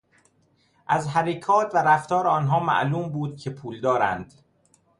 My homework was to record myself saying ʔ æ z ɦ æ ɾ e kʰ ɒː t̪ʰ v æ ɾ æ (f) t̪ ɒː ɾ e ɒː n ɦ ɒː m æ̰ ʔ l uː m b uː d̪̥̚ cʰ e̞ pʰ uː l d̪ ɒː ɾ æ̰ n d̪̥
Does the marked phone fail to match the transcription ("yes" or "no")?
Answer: no